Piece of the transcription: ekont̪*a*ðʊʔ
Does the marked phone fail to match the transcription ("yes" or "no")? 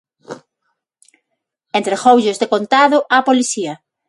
no